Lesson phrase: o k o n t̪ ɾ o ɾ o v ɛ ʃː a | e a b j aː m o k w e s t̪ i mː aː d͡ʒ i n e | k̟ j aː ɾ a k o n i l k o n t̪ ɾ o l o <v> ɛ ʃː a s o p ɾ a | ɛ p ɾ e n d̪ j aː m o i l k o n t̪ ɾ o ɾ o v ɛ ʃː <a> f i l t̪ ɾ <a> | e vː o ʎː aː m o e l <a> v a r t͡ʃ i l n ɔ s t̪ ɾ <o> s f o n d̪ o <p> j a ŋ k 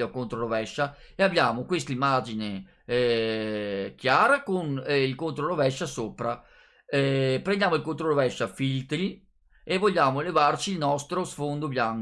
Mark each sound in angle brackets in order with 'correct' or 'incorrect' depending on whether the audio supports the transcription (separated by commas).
correct, correct, incorrect, incorrect, correct, incorrect